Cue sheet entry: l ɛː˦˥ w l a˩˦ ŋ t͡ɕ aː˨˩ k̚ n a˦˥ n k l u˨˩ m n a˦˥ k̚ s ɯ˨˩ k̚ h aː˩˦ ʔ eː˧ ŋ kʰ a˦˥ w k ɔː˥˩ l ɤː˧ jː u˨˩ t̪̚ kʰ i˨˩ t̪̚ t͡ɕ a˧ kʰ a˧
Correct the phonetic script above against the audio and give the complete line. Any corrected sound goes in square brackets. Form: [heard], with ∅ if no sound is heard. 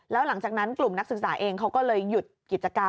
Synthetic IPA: l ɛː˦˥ w l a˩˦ ŋ t͡ɕ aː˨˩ k̚ n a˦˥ n k l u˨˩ m n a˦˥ k̚ s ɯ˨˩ k̚ [s] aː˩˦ ʔ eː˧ ŋ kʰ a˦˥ w k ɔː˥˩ l ɤː˧ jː u˨˩ t̪̚ [k] i˨˩ t̪̚ t͡ɕ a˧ [k] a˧